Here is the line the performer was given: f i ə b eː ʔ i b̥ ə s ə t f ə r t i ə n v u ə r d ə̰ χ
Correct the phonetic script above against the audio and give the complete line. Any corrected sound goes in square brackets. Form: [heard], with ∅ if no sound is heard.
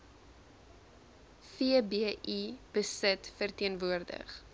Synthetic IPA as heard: f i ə b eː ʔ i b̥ ə s ə t f ə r t i ə n v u ə r d ə̰ χ